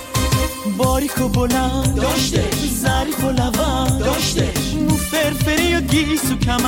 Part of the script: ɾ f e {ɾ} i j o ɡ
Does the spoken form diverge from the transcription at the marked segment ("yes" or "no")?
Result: no